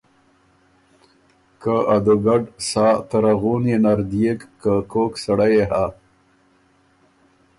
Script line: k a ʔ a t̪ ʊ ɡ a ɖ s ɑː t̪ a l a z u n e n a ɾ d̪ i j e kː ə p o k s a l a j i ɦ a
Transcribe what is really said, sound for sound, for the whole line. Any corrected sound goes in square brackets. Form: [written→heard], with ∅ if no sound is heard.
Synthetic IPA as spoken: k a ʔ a [t̪→d̪] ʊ ɡ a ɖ s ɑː t̪ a [l→ɾ] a [z→ɣ] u n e n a ɾ d̪ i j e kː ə [p→k] o k s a [l→ɽ] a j [i→e] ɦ a